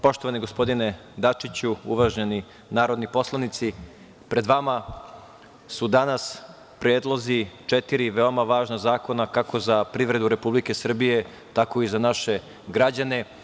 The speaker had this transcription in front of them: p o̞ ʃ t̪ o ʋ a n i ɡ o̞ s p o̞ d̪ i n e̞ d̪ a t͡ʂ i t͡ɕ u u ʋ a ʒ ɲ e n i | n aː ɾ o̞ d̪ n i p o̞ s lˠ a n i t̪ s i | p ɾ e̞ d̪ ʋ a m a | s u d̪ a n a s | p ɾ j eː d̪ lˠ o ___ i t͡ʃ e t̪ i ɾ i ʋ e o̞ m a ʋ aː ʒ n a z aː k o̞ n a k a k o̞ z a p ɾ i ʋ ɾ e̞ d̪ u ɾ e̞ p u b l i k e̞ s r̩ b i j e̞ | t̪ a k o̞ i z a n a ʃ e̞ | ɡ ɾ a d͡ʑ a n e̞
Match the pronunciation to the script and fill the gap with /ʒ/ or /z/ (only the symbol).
z